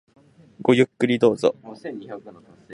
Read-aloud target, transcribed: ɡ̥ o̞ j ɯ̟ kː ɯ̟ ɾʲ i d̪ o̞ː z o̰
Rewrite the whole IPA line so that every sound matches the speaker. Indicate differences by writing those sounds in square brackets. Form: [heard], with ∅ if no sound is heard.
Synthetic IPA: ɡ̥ o̞ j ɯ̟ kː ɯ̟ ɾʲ i d̪ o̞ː z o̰